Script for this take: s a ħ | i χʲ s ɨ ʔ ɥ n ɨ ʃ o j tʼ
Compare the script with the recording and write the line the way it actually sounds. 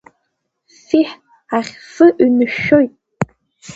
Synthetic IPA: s i ħ | a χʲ s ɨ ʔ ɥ n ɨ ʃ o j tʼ